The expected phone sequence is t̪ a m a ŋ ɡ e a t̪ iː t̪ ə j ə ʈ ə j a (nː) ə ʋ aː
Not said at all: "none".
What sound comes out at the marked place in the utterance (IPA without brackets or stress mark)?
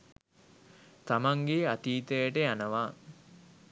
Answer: n